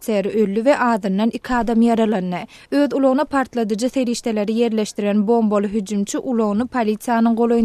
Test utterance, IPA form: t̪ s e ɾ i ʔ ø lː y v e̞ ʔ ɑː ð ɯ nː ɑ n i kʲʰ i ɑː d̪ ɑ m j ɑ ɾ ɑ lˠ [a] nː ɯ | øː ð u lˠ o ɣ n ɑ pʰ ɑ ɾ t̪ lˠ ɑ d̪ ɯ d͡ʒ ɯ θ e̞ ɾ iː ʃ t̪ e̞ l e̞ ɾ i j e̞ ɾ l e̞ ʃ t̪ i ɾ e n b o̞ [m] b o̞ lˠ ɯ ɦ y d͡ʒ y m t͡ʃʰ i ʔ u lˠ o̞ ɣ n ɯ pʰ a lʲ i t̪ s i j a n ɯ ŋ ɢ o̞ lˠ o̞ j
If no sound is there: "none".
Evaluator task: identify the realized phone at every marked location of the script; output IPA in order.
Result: ɑ, m

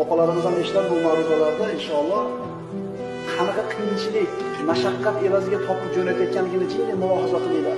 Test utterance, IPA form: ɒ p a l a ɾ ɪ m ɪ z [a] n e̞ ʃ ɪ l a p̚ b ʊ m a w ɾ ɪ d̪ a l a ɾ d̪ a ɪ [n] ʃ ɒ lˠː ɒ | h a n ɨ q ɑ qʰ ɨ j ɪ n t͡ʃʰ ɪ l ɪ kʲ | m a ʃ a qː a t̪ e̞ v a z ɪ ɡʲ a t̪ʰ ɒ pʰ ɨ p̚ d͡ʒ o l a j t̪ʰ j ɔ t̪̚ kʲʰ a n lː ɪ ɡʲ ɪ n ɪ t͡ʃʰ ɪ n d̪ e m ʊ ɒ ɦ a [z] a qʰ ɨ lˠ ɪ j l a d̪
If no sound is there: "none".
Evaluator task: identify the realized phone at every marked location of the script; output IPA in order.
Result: a, n, z

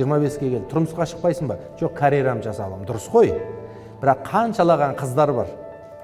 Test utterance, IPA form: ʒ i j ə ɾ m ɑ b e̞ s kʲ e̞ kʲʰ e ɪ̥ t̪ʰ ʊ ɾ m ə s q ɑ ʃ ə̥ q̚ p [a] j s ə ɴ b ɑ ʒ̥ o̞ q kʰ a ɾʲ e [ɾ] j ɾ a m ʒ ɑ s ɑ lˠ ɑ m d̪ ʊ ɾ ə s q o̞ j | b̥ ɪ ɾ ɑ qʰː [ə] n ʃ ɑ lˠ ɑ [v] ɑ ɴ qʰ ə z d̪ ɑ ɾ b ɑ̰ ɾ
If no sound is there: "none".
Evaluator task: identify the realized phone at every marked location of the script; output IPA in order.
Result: ɑ, none, ɑ, ʁ

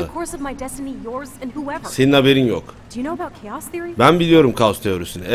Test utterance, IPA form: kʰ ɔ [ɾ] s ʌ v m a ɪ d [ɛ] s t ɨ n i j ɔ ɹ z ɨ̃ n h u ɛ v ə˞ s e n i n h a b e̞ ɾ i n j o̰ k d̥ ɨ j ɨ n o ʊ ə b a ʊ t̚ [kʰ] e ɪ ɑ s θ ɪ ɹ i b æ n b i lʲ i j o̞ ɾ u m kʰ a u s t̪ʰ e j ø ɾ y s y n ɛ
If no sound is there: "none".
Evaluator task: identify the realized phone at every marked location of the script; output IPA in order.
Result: ɹ, ɛ, kʰ

